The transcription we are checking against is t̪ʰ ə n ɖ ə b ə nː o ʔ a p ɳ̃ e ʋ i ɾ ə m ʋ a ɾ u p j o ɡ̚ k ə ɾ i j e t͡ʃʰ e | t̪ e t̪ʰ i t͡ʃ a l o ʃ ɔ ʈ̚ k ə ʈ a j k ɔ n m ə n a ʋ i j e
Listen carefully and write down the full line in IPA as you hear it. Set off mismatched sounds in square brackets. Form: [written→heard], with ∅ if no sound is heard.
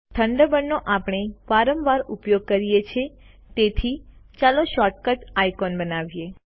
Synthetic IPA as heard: t̪ʰ ə [n→ɳ] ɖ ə b ə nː o ʔ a p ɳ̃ e ʋ [i→a] ɾ ə m ʋ a ɾ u p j o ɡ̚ k ə ɾ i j e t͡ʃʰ e | t̪ e t̪ʰ i t͡ʃ a l o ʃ ɔ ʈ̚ k ə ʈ a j k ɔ n [m→b] ə n a ʋ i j e